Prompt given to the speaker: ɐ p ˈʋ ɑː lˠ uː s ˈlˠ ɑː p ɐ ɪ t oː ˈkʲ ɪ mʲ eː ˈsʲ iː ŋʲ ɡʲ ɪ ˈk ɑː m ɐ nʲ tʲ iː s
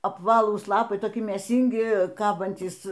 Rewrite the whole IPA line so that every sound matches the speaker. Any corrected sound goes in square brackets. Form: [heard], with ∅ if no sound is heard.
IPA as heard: ɐ p ˈʋ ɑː lˠ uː s ˈlˠ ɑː p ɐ ɪ t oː ˈkʲ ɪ mʲ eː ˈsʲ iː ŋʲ ɡʲ ɪ ˈk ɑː [b] ɐ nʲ tʲ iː s